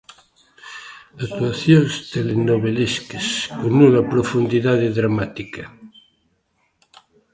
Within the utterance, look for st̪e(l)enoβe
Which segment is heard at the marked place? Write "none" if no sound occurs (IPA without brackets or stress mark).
l